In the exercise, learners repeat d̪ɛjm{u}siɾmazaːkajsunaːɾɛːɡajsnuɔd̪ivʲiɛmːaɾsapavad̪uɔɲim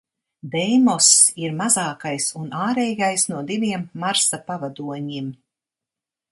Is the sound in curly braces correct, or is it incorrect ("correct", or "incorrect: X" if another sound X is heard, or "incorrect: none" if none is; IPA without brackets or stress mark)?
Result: incorrect: ɔ